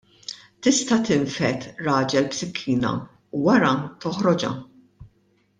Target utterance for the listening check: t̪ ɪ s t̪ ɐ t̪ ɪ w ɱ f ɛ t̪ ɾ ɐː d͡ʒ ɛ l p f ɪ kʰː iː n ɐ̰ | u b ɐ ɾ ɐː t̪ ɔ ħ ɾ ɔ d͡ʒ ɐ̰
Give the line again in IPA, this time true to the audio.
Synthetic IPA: t̪ ɪ s t̪ ɐ t̪ ɪ ɱ f ɛ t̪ ɾ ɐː d͡ʒ ɛ l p s ɪ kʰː iː n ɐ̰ | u w ɐ ɾ ɐ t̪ ɔ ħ ɾ ɔ d͡ʒ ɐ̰